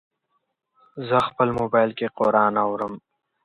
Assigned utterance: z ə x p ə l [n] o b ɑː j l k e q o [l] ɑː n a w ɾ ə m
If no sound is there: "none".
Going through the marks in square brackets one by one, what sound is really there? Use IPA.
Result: m, ɾ

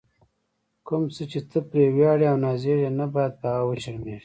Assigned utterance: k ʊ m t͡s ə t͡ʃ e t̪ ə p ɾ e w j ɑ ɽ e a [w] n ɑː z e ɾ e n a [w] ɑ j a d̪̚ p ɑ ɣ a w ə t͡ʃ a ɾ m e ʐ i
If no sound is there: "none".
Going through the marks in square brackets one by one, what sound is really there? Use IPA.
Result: w, b

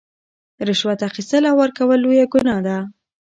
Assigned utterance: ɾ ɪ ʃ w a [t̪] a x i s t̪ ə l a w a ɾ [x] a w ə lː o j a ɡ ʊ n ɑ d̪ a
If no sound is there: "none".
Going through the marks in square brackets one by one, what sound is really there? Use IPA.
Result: t̪, k

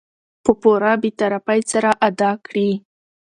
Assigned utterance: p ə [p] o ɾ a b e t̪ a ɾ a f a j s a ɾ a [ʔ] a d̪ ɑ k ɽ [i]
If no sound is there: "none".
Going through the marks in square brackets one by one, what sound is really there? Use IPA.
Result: p, ʔ, i

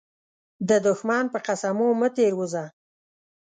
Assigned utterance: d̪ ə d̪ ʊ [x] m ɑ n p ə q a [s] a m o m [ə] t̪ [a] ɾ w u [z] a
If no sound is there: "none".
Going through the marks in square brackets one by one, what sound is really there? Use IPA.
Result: x, s, ə, e, z

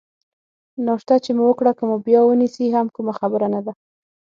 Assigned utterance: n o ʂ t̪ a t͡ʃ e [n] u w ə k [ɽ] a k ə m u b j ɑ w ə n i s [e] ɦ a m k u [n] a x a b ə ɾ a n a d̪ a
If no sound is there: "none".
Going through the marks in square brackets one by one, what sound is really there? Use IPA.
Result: m, ɽ, i, m

